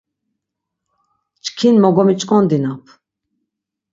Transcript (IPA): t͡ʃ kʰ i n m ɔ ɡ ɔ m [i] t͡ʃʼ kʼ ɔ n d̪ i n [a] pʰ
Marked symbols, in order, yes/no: yes, yes

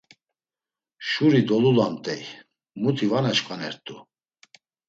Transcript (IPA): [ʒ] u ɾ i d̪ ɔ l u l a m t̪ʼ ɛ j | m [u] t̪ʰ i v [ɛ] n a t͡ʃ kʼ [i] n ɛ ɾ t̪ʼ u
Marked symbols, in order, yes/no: no, yes, no, no

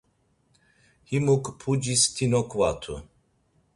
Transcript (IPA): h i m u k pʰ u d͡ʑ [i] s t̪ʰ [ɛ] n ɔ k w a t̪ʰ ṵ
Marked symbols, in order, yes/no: yes, no

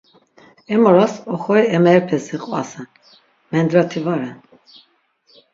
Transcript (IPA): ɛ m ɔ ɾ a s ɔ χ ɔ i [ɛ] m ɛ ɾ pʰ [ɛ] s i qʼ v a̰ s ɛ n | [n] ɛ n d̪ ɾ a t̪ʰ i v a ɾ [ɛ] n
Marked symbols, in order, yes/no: yes, yes, no, yes

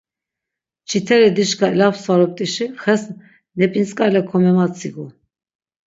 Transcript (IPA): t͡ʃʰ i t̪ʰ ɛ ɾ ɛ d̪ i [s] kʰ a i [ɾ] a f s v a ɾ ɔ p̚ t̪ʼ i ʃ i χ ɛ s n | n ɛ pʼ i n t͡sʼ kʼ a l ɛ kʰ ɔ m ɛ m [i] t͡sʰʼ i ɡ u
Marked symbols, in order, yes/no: no, no, no

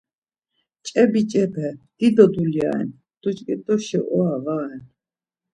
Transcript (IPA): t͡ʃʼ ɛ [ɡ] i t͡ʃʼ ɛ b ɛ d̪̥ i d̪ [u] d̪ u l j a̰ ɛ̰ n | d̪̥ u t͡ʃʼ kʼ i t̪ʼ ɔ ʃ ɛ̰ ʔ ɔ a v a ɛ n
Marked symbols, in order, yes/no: no, no

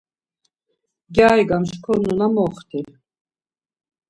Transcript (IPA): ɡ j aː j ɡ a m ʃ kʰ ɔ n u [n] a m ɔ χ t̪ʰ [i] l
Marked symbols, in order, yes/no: yes, yes

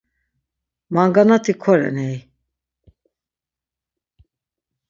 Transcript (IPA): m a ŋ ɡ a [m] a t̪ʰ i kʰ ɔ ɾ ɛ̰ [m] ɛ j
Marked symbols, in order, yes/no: no, no

